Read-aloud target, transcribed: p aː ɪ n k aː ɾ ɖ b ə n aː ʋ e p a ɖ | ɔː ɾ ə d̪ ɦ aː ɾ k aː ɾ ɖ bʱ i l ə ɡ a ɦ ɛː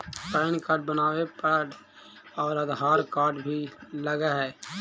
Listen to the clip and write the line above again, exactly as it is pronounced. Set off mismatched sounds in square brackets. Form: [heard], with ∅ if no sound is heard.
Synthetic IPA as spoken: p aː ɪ n k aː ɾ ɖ b ə n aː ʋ e p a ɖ | ɔː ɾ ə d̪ ɦ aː ɾ k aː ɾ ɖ bʱ i l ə ɡ a ɦ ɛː